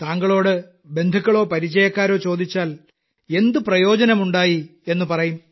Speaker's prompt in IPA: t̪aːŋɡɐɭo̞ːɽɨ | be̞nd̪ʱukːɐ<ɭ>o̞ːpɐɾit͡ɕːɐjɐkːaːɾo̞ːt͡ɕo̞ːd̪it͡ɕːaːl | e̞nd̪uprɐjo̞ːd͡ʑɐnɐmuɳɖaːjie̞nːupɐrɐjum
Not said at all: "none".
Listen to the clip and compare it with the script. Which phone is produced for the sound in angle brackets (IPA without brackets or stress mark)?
ɭ